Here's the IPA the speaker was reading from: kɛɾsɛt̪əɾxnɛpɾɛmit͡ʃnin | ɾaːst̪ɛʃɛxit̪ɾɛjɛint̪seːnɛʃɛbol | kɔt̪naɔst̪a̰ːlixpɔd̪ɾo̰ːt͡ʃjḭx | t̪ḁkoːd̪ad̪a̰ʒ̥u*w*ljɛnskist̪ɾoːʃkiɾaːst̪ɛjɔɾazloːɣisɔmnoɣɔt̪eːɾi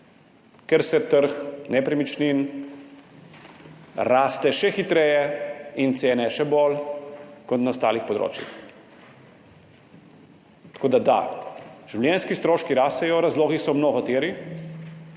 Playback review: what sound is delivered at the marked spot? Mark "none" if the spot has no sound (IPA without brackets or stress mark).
w